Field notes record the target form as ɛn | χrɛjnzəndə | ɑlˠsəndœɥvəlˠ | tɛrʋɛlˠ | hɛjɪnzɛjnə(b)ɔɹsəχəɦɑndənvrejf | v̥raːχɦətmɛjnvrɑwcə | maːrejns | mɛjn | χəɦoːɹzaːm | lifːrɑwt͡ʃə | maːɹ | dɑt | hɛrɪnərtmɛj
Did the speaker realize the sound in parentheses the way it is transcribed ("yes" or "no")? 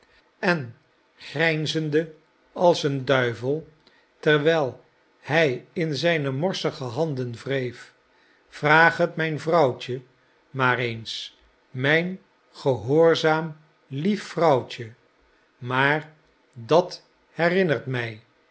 no